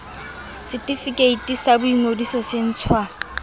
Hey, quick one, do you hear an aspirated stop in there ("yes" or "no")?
yes